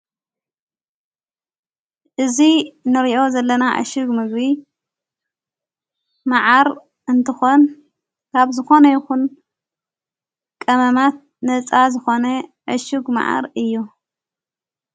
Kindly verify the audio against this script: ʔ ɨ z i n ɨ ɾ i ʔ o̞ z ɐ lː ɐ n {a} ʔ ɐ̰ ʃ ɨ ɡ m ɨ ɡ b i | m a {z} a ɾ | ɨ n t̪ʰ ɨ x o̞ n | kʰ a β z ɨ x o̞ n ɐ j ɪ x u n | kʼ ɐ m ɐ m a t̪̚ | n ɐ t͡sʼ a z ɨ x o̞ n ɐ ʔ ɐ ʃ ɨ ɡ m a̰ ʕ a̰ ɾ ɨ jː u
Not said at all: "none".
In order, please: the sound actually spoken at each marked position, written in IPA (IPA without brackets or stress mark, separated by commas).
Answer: a, ʕ